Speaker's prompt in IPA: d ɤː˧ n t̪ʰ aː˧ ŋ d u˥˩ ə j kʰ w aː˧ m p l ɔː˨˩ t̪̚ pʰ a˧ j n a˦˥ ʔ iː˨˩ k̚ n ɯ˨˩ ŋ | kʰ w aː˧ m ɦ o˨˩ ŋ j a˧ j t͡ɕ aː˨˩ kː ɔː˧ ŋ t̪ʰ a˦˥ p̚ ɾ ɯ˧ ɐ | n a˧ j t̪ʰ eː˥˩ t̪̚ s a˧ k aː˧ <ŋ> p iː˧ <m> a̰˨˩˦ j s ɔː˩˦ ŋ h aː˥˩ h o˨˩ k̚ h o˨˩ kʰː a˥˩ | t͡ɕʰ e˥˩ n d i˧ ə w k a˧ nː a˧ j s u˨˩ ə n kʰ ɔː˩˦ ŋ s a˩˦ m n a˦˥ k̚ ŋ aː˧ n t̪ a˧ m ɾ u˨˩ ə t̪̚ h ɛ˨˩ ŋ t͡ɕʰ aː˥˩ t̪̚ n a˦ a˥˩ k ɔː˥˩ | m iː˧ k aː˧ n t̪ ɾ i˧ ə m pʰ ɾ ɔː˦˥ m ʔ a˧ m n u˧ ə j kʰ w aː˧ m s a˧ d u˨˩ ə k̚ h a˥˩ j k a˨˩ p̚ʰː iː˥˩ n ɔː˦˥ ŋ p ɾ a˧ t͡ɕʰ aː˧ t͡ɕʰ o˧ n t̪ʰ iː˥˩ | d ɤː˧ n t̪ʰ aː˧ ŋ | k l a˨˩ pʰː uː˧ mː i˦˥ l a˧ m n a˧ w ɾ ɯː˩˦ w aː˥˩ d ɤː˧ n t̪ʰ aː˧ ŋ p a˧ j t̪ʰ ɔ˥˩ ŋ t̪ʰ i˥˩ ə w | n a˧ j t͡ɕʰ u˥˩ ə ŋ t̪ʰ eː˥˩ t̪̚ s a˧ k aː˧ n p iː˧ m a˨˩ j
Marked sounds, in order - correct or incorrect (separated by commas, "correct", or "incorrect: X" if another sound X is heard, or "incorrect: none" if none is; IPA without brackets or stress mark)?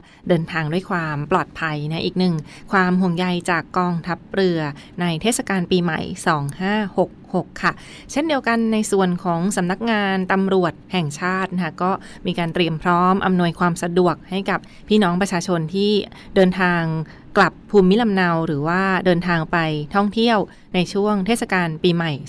incorrect: n, correct